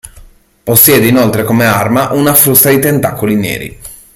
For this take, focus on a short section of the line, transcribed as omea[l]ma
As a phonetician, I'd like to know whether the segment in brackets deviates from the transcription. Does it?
yes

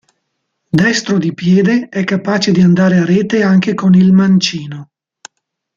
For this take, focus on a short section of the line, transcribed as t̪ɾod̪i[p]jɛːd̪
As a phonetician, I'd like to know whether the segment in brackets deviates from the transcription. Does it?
no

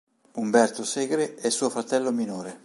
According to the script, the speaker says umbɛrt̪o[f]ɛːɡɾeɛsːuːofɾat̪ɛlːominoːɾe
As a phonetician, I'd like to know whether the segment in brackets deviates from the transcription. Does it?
yes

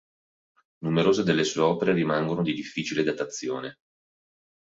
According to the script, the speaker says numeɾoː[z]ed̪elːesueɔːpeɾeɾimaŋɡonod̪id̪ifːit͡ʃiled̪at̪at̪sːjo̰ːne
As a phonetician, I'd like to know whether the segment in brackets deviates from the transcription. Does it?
no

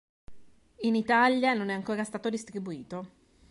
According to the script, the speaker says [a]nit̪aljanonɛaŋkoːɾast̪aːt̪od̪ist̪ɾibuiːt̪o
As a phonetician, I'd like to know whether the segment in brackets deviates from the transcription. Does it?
yes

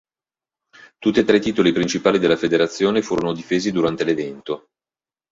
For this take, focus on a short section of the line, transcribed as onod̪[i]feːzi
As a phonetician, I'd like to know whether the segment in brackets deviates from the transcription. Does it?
no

